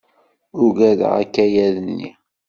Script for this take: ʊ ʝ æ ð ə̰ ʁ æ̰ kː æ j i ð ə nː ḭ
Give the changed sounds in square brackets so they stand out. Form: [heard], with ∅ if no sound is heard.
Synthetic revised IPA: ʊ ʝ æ ð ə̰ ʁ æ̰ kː æ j [æ] ð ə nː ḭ